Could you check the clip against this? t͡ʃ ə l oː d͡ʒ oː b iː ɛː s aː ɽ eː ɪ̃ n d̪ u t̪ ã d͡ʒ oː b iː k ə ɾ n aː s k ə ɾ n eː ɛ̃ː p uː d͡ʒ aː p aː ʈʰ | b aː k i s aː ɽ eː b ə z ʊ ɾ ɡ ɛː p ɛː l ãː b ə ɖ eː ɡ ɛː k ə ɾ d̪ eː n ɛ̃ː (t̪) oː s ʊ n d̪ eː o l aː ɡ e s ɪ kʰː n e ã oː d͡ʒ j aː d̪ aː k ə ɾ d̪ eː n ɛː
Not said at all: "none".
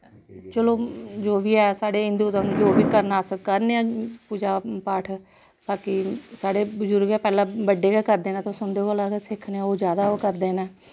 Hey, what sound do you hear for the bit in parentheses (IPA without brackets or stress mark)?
t̪